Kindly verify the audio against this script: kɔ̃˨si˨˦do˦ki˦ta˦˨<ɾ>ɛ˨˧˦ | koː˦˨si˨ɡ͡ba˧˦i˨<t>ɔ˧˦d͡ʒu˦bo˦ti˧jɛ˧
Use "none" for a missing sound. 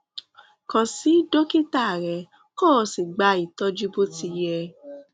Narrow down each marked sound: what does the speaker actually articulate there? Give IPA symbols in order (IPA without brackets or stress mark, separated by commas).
ɾ, t